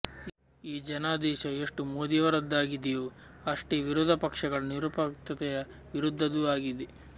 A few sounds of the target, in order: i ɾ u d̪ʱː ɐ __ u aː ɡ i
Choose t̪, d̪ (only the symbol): d̪